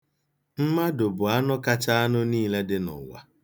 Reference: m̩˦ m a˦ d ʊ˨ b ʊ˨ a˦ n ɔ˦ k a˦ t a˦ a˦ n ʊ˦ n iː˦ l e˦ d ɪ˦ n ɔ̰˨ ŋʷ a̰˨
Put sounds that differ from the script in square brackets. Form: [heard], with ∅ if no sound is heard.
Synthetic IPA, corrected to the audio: m̩˦ m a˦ d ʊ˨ b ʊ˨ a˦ n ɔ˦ k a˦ [t͡ʃ] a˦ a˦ n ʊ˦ n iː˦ l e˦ d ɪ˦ n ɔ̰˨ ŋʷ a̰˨